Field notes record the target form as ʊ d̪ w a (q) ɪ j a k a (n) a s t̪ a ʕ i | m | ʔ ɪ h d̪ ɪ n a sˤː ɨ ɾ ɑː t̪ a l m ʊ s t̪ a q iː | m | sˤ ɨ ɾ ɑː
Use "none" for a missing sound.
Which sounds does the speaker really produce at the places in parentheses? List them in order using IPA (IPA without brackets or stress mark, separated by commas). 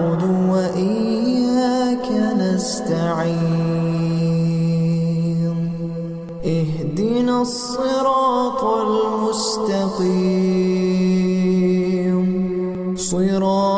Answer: ʔ, n